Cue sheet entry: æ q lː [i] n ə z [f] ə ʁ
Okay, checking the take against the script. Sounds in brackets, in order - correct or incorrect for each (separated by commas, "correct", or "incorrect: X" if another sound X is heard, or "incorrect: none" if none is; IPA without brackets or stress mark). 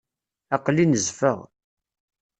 correct, correct